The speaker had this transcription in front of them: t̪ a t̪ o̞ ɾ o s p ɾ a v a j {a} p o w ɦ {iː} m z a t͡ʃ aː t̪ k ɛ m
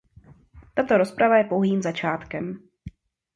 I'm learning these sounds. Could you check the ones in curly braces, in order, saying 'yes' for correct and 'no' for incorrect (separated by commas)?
no, yes